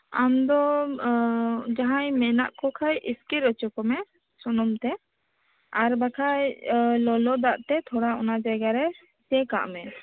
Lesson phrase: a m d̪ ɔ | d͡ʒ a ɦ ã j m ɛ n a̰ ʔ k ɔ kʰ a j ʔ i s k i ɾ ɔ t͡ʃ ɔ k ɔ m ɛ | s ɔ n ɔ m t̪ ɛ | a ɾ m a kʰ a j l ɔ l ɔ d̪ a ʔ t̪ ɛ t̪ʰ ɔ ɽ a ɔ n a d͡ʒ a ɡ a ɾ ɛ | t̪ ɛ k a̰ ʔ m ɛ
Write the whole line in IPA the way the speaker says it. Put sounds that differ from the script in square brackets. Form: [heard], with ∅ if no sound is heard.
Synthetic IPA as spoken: a m d̪ ɔ | d͡ʒ a ɦ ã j m ɛ n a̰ ʔ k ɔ kʰ a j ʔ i s k i ɾ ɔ t͡ʃ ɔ k ɔ m ɛ | s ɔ n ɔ m t̪ ɛ | a ɾ [b] a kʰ a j l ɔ l ɔ d̪ a ʔ t̪ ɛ t̪ʰ ɔ ɽ a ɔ n a d͡ʒ a ɡ a ɾ ɛ | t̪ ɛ k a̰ ʔ m ɛ